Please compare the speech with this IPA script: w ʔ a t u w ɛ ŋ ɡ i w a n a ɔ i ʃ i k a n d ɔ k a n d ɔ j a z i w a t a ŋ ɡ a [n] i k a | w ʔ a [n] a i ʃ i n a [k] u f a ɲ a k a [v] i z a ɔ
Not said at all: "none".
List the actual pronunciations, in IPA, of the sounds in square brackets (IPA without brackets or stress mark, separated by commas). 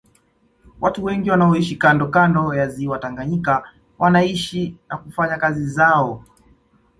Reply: ɲ, n, k, z